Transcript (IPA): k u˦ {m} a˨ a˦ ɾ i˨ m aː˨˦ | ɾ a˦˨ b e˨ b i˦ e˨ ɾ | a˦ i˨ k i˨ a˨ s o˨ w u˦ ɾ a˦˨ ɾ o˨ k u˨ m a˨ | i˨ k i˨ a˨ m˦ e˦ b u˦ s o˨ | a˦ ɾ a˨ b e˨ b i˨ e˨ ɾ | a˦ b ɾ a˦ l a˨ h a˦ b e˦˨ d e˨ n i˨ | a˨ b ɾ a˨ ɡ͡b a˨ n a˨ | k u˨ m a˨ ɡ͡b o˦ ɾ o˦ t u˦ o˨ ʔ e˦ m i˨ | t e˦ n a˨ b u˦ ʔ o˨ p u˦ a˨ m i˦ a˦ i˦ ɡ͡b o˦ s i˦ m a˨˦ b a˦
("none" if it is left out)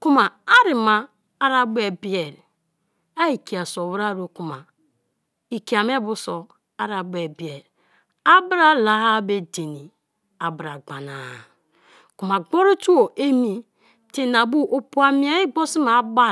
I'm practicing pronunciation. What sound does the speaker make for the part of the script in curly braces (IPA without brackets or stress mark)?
m